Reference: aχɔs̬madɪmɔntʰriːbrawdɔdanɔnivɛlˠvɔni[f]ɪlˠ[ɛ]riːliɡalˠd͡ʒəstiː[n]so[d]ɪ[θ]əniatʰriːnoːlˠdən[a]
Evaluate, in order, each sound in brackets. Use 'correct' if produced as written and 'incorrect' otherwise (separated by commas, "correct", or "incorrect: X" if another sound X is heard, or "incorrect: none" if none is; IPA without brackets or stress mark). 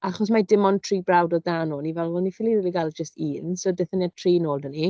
correct, incorrect: i, correct, correct, correct, incorrect: i